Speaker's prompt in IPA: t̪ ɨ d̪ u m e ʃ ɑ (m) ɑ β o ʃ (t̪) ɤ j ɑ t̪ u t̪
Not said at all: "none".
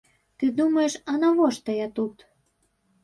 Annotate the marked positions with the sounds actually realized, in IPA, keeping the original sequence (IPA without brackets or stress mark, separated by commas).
n, t̪